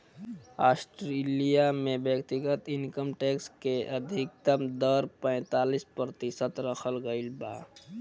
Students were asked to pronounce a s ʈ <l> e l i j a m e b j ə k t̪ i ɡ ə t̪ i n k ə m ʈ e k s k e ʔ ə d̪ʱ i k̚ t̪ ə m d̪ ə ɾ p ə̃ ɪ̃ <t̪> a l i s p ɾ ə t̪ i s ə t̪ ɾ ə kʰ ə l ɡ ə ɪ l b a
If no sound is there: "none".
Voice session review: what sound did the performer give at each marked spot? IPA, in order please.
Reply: ɾ, t̪

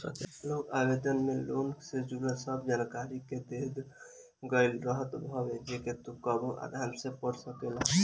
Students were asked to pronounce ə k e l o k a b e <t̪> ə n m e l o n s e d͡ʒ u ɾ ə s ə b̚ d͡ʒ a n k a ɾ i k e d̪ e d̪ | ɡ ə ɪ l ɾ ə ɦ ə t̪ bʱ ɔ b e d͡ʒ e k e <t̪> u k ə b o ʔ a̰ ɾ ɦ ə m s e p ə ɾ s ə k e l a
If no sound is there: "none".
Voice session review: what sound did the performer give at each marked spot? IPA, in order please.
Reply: d̪, t̪

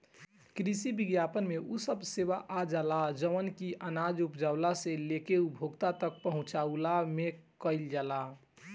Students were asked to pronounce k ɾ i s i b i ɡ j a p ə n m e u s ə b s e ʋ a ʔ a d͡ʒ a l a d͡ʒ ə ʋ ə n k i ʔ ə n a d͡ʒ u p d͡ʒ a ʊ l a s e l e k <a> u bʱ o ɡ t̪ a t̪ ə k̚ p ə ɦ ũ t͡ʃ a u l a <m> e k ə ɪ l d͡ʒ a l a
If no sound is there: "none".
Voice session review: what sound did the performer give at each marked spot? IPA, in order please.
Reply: e, m

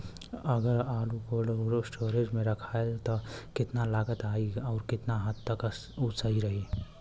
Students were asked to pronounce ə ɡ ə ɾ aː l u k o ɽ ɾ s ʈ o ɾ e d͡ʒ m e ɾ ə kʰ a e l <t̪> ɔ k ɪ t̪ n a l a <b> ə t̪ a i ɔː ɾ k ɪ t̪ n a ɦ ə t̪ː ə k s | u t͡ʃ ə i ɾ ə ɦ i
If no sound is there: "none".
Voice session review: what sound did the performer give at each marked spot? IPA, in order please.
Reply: t̪, ɡ

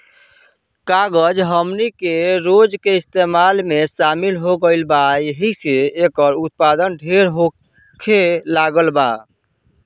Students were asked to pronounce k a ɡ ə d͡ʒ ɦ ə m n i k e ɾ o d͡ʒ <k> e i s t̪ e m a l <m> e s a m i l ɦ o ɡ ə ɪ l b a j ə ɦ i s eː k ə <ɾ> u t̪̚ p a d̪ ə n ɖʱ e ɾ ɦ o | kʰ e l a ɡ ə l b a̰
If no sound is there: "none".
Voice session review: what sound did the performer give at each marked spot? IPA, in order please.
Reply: k, m, ɾ

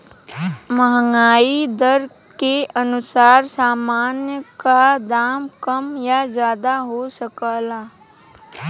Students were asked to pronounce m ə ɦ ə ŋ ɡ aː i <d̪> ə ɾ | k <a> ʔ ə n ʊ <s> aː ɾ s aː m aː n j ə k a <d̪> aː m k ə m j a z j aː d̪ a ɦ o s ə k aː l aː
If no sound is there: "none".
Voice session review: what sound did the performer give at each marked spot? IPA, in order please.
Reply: d̪, e, s, d̪

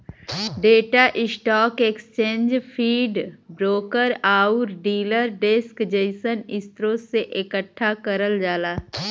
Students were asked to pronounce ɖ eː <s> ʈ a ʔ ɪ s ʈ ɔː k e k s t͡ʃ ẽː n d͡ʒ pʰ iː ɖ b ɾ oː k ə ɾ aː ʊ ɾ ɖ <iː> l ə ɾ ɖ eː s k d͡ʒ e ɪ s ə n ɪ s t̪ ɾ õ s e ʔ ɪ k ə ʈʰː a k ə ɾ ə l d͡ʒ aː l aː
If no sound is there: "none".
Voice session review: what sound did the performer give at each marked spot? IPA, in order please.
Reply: none, iː

